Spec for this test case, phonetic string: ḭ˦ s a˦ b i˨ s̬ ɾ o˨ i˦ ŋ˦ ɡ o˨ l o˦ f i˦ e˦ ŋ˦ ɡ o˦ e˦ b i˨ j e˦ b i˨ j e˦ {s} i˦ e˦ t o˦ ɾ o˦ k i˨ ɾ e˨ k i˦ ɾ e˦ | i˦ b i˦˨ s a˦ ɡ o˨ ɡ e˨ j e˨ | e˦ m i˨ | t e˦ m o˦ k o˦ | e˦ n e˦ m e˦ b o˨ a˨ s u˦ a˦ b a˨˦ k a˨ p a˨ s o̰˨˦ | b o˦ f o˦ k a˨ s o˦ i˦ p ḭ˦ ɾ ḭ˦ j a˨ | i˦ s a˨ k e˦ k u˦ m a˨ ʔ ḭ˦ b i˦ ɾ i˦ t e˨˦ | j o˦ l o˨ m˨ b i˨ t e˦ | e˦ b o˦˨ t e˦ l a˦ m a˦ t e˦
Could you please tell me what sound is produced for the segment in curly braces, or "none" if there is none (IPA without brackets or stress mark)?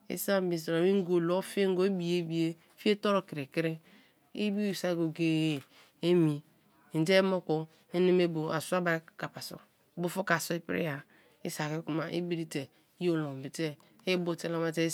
f